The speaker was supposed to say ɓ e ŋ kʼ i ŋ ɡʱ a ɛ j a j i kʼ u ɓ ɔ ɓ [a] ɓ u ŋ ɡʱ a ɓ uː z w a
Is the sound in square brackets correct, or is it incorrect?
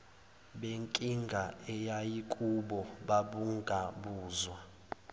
correct